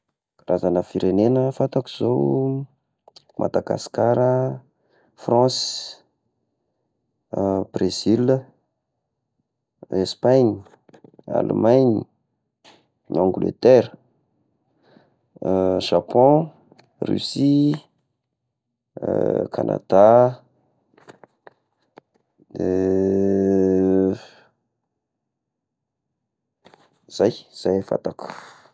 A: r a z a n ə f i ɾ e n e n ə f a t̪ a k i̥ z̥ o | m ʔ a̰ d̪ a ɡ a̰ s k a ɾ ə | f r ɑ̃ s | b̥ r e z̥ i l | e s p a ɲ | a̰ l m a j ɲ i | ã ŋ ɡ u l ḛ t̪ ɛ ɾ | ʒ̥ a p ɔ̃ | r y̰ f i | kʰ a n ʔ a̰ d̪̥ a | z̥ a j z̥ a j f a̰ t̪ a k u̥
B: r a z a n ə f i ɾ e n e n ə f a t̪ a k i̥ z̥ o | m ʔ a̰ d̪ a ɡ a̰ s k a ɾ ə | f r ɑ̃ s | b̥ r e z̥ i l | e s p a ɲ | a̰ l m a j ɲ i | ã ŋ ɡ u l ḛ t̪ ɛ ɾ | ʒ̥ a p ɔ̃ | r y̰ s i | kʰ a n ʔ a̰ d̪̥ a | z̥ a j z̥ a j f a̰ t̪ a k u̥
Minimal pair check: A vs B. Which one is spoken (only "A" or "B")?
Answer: B